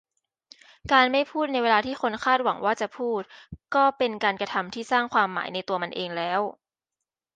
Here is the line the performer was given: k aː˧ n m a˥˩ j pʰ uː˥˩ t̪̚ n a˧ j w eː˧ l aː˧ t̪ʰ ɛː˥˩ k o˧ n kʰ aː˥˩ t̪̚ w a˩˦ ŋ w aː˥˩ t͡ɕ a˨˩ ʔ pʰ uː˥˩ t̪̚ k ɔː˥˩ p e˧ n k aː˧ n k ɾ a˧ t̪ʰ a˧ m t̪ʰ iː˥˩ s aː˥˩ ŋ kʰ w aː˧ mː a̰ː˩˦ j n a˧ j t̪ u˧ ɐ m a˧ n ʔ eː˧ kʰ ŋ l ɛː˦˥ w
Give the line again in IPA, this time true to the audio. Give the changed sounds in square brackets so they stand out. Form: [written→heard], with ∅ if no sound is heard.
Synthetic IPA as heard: k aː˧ n m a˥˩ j pʰ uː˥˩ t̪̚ n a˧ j w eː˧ l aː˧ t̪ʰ [ɛː˥˩→iː˥˩] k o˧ n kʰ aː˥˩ t̪̚ w a˩˦ ŋ w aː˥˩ t͡ɕ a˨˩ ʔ pʰ uː˥˩ t̪̚ k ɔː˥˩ p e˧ n k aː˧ n k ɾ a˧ t̪ʰ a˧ m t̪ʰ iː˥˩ s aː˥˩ ŋ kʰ w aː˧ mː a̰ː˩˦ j n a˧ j t̪ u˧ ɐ m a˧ n ʔ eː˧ [kʰ→∅] ŋ l ɛː˦˥ w